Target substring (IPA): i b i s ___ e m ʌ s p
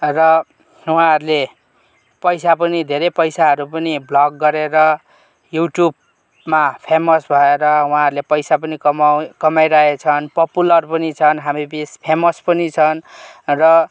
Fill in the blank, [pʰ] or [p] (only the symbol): pʰ